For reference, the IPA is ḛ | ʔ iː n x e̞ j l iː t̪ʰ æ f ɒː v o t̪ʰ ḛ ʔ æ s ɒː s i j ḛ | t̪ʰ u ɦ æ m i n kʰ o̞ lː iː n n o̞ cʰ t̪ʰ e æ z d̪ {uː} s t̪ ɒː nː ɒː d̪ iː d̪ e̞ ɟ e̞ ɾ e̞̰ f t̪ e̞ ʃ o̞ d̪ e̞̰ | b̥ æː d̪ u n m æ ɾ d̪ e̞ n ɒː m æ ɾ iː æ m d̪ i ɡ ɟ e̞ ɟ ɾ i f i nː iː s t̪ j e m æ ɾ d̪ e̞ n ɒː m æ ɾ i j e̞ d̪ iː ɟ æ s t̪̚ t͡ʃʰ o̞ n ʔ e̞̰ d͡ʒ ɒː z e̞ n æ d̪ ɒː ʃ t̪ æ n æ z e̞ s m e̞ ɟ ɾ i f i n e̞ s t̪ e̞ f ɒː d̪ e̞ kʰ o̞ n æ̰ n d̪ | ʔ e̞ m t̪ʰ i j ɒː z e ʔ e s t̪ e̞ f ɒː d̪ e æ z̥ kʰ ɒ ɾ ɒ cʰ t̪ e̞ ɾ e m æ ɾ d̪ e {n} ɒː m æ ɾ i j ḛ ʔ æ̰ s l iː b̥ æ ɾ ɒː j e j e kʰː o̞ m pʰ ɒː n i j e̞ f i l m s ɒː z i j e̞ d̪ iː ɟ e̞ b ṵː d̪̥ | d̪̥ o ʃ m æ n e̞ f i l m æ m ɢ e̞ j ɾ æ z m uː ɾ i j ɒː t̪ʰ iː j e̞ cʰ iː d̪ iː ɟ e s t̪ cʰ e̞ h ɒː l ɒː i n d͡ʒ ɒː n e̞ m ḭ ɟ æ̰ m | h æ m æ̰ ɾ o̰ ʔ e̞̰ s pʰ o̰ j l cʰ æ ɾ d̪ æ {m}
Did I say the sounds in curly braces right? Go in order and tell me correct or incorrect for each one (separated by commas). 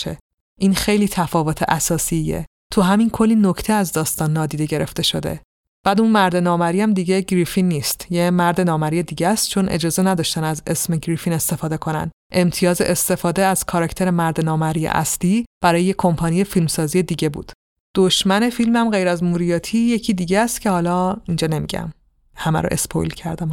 incorrect, correct, correct